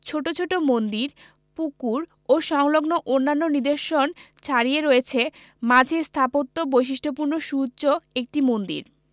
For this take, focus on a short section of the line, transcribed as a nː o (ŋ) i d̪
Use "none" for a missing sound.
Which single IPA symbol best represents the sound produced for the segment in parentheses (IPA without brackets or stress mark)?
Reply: n